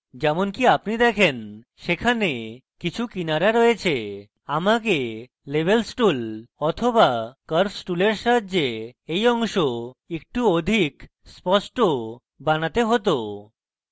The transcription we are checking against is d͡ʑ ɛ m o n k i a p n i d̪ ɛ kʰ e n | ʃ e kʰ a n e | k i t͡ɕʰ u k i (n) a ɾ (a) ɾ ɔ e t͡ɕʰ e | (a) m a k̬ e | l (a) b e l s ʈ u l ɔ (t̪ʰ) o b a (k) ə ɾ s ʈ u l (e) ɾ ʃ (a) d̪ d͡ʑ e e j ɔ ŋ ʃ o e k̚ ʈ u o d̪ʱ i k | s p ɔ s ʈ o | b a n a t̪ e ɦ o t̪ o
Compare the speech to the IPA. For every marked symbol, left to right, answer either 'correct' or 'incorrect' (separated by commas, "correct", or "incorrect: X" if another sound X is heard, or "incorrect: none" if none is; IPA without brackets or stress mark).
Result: correct, correct, correct, incorrect: e, correct, correct, correct, correct